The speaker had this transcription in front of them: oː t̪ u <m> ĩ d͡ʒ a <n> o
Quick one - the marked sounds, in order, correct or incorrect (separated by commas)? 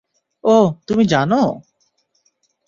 correct, correct